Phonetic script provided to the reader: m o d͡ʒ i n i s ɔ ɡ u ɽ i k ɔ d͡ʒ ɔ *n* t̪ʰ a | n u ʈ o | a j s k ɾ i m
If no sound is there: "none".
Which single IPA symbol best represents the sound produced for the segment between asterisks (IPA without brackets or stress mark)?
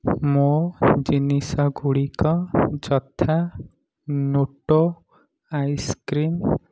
none